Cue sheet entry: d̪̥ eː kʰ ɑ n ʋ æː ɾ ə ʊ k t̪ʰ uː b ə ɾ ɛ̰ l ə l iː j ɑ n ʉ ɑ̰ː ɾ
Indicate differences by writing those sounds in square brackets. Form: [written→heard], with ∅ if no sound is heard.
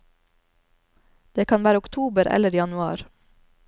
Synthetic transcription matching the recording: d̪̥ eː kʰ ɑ n ʋ æː ɾ ə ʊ k t̪ʰ uː b ə ɾ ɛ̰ l ə [l→ɾ] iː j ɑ n ʉ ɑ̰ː ɾ

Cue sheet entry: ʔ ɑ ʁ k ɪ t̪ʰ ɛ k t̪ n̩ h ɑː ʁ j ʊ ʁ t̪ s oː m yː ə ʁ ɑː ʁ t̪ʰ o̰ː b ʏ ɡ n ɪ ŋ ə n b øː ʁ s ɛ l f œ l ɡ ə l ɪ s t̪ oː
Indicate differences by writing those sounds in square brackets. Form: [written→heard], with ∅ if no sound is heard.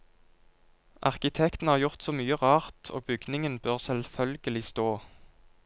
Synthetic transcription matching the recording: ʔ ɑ ʁ k ɪ t̪ʰ ɛ k t̪ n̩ h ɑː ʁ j ʊ ʁ t̪ s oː m yː ə ʁ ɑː ʁ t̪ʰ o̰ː b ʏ ɡ n ɪ ŋ ə n b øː ʁ s ɛ l f œ l ɡ ə l ɪ s t̪ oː

